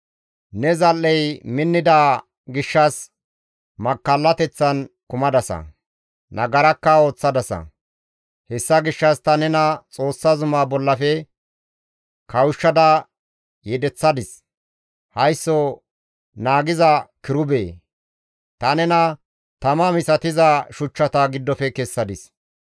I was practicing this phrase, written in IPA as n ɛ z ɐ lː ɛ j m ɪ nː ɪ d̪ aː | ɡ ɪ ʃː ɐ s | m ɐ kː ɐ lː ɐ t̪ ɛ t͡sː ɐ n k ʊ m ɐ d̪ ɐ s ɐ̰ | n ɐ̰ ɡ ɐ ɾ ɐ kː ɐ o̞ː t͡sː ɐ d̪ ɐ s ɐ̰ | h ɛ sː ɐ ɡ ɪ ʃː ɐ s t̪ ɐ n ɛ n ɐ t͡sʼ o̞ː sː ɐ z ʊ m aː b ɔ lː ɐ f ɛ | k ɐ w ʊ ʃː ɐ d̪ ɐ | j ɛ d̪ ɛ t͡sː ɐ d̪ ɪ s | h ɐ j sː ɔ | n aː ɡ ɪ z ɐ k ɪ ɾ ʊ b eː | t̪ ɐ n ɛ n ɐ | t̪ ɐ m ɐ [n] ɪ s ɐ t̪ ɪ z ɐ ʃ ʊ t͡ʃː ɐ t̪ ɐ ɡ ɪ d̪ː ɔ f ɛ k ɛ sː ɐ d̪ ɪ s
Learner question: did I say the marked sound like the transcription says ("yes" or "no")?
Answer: no